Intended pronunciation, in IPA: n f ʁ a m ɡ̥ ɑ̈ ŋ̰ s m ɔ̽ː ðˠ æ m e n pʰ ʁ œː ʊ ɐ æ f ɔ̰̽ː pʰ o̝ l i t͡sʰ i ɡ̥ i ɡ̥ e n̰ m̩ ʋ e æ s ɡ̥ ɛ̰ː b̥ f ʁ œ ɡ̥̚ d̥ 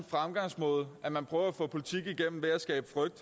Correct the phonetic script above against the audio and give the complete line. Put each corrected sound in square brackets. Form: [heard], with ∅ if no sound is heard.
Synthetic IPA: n f ʁ a m ɡ̥ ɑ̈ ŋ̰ s m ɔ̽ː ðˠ æ m [æ] n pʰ ʁ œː ʊ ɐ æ f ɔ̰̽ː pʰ o̝ l i t͡sʰ i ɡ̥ i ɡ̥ e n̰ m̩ ʋ e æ s ɡ̥ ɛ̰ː b̥ f ʁ œ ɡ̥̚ d̥